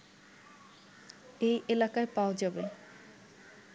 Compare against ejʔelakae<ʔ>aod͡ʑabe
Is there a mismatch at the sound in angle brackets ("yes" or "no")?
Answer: yes